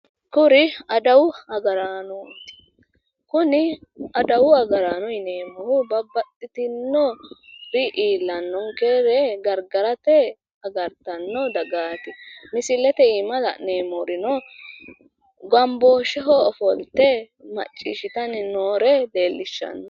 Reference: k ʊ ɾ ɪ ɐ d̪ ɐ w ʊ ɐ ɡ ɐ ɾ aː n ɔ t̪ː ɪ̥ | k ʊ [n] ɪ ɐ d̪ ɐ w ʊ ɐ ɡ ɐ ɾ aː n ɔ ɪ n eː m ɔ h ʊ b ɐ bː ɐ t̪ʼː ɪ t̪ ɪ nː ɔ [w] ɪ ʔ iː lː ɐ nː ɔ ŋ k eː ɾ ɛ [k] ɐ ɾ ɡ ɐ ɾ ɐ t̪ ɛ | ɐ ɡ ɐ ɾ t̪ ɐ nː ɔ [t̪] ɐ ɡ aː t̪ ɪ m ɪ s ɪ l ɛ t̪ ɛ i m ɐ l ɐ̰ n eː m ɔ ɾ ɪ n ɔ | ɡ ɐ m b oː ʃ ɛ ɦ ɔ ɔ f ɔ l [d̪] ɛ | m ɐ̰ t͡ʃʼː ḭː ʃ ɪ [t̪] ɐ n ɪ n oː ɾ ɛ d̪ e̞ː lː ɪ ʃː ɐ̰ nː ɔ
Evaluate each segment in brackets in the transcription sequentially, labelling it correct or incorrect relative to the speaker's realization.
correct, incorrect, incorrect, incorrect, incorrect, correct

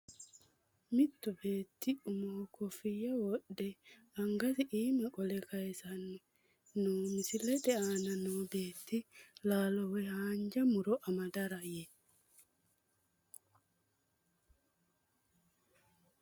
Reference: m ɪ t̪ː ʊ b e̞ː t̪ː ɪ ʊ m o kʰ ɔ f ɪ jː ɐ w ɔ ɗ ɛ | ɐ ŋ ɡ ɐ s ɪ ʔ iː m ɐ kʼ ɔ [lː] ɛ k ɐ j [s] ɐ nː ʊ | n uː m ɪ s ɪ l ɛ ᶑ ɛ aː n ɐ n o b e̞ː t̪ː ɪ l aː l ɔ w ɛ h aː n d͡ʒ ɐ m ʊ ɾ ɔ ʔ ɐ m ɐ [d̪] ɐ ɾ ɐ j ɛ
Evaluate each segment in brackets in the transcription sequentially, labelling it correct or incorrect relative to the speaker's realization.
incorrect, correct, correct

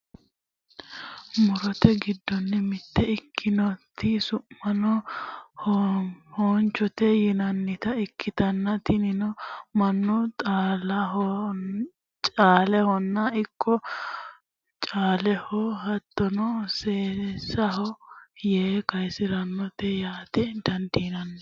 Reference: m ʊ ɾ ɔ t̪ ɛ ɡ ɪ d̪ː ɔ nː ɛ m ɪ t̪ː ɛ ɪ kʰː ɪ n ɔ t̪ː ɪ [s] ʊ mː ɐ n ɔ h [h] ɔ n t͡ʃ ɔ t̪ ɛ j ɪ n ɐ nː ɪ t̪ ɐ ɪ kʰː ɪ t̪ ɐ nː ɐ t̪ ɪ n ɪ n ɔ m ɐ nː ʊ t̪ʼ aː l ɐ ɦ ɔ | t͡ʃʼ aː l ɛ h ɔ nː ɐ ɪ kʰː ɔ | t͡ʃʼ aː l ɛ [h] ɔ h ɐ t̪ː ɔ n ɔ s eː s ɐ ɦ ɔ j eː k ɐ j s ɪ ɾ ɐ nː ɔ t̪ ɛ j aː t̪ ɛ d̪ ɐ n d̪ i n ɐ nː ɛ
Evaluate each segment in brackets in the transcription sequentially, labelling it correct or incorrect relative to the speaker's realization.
correct, correct, correct

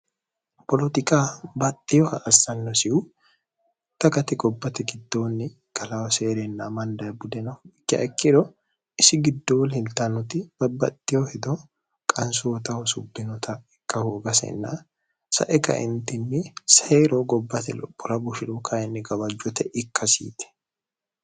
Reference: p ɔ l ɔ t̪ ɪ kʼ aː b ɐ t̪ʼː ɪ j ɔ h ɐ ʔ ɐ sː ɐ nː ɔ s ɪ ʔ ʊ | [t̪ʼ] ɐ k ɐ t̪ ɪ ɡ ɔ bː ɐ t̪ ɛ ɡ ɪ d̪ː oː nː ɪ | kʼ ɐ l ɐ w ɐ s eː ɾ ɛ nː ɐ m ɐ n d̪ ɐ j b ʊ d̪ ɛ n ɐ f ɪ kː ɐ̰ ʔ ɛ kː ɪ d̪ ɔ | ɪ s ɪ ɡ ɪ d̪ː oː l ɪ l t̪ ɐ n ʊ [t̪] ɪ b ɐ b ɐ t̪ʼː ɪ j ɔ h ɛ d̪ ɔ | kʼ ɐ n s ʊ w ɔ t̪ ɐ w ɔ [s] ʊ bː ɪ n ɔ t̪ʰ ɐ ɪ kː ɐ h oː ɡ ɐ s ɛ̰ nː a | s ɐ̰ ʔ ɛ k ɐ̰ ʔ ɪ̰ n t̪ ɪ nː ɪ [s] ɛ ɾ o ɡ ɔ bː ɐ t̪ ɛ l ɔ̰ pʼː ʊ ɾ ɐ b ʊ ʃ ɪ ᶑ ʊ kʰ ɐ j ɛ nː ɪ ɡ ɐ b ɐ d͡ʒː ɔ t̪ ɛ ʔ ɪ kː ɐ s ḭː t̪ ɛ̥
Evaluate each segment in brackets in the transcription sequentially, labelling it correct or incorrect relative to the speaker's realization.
incorrect, correct, correct, correct

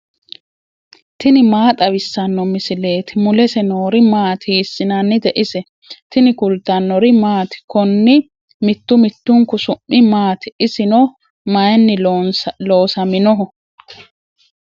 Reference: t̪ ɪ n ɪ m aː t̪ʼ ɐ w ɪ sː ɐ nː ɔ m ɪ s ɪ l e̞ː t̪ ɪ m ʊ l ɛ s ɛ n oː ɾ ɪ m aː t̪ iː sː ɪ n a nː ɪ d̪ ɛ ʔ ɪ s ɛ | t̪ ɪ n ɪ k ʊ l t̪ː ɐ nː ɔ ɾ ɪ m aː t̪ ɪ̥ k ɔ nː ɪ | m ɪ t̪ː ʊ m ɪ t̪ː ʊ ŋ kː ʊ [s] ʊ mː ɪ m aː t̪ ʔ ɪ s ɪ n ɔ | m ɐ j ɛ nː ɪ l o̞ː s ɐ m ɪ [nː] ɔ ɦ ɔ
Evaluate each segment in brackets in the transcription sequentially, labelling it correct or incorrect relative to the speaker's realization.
correct, incorrect

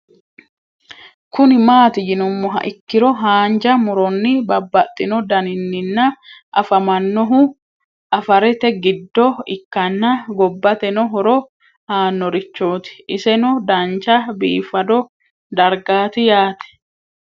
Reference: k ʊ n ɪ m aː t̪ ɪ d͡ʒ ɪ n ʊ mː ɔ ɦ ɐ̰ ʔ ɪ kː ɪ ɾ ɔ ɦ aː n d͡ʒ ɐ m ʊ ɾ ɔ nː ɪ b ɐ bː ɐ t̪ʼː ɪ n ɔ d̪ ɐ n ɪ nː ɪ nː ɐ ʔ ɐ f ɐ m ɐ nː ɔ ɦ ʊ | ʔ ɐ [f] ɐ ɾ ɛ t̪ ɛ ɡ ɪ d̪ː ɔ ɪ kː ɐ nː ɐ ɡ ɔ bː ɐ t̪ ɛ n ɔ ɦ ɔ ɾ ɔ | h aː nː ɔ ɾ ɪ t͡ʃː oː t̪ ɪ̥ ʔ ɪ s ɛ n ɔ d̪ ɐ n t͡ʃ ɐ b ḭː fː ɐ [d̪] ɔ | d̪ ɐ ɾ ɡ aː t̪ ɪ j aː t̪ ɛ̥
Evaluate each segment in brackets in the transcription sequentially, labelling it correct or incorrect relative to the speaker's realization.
correct, correct

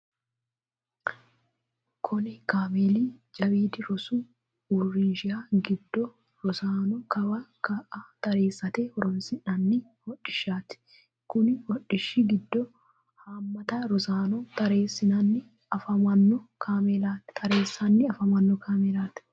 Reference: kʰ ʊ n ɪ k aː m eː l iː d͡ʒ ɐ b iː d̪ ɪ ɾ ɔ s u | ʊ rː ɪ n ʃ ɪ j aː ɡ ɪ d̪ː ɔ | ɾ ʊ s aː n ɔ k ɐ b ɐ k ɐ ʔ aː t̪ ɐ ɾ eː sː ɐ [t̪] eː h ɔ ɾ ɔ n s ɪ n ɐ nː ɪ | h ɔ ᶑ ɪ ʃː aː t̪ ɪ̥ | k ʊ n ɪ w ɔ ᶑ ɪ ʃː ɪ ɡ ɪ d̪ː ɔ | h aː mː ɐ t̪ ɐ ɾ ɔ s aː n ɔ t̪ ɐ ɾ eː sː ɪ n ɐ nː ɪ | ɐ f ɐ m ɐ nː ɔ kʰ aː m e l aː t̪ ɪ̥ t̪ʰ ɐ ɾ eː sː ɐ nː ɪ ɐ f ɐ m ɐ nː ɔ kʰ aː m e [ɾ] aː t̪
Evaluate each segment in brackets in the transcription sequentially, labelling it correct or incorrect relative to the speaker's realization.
correct, incorrect

